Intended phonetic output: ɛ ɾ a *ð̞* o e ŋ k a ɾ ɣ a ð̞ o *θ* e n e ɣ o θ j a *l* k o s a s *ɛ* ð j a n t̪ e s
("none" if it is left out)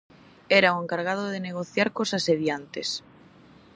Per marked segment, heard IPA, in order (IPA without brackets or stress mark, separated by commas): none, ð, ɾ, e